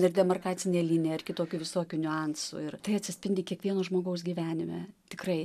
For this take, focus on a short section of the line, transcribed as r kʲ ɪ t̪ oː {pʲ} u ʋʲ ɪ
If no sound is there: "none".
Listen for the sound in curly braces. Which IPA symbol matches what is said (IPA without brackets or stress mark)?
kʲ